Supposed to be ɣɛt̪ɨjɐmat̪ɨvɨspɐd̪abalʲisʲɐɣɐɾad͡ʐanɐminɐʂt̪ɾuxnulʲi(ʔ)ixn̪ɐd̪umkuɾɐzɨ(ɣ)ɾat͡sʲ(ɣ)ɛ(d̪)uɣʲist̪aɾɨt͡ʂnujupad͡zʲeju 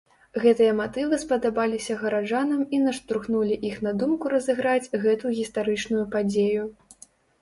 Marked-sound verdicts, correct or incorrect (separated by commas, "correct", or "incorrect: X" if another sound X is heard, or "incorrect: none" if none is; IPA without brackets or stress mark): correct, correct, correct, incorrect: t̪